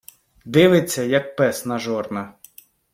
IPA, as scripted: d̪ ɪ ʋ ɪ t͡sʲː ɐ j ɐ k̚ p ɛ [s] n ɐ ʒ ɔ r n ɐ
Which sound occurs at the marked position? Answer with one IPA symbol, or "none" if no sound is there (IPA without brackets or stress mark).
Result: s